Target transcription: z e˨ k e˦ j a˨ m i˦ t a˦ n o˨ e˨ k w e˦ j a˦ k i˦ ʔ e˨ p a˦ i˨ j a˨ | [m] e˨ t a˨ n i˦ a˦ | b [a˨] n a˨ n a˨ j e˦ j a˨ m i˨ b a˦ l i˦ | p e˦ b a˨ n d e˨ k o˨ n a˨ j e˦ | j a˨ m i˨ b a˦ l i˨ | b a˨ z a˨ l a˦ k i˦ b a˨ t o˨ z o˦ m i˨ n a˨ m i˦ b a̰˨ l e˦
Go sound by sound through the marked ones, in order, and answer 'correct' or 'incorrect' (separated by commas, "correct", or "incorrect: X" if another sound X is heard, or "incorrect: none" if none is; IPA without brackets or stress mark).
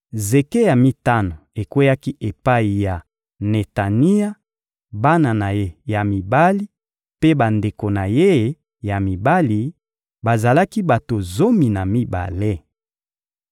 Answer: incorrect: n, incorrect: a˦